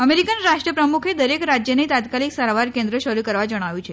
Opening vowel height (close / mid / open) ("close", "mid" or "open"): mid